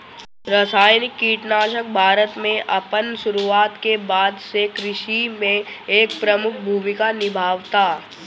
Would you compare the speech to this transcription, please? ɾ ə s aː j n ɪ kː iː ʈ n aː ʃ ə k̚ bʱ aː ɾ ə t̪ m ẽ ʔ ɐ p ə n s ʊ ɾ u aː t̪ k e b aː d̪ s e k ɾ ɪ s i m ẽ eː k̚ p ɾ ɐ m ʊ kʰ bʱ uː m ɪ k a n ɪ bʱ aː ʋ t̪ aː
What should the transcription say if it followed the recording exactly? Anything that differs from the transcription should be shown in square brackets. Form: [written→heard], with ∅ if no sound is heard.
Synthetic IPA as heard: ɾ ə s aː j n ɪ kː iː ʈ n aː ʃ ə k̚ bʱ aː ɾ ə t̪ m ẽ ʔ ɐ p ə n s ʊ ɾ u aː t̪ k e b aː d̪ s e k ɾ ɪ [s→ʃ] i m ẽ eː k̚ p ɾ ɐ m ʊ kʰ bʱ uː m ɪ k a n ɪ bʱ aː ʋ t̪ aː